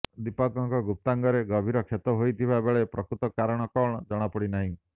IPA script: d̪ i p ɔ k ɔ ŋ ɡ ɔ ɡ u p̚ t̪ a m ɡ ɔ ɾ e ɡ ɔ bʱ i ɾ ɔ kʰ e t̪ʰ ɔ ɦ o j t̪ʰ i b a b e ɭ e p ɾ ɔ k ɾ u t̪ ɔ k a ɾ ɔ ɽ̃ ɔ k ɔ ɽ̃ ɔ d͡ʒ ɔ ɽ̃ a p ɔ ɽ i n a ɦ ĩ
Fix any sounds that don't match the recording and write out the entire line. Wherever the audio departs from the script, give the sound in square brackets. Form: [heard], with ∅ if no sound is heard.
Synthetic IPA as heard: d̪ i p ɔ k ɔ ŋ [k] ɔ ɡ u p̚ t̪ a [ŋ] ɡ ɔ ɾ e ɡ ɔ bʱ i ɾ ɔ kʰ e [t̪] ɔ ɦ o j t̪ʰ i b a b e ɭ e p ɾ ɔ k ɾ u t̪ ɔ k a ɾ ɔ ɽ̃ ɔ k ɔ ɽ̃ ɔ d͡ʒ ɔ ɽ̃ a p ɔ ɽ i n a ɦ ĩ